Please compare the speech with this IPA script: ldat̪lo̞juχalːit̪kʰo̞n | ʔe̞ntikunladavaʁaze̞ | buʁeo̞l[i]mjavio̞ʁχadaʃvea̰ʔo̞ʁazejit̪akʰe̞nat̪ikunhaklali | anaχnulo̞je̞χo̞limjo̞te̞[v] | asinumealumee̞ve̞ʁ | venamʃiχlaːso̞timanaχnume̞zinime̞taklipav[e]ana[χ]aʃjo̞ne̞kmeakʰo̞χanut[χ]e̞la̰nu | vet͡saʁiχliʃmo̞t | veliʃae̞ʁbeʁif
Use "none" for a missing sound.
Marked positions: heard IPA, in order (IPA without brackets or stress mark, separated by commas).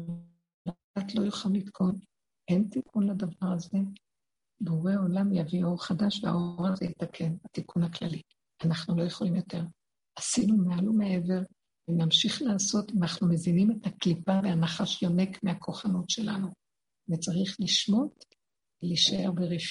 a, ʁ, e, χ, ʃ